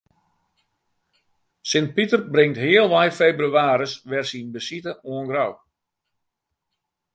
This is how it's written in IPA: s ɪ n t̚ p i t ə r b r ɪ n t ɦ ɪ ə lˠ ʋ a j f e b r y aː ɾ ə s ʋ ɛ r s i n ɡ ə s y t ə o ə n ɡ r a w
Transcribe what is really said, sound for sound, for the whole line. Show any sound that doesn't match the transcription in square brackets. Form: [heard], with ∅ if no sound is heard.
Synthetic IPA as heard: s ɪ n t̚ p i t ə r b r ɪ [ŋ] t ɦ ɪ ə lˠ ʋ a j f e b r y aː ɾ ə s ʋ ɛ r s i n [b] ə s [i] t ə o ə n ɡ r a w